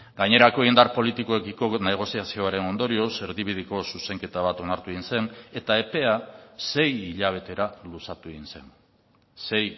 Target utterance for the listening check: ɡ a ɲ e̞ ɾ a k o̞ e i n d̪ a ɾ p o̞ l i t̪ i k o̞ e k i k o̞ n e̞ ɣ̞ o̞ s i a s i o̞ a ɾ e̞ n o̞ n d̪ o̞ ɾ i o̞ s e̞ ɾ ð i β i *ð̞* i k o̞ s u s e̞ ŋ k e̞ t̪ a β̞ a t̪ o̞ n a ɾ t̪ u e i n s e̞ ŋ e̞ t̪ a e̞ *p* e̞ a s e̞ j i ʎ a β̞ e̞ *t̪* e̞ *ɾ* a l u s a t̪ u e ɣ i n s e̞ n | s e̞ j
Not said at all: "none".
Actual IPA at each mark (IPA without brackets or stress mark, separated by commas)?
ð̞, p, t̪, ɾ